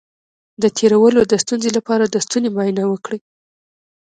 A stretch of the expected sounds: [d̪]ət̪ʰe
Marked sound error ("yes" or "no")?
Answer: no